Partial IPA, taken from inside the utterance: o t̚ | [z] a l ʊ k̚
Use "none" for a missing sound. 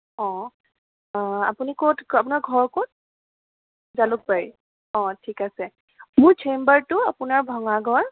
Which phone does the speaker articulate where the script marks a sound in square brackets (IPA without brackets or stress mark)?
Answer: z